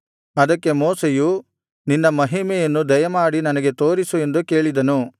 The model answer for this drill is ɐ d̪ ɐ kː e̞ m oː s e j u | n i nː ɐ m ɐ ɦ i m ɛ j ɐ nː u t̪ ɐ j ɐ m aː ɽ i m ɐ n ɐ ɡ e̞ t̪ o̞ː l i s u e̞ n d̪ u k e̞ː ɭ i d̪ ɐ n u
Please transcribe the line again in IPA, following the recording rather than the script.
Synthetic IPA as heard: ɐ d̪ ɐ kː e̞ m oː s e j u | n i nː ɐ m ɐ ɦ i m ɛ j ɐ nː u d̪ ɐ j ɐ m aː ɽ i n ɐ n ɐ ɡ e̞ t̪ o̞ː ɾ i s u e̞ n d̪ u k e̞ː ɭ i d̪ ɐ n u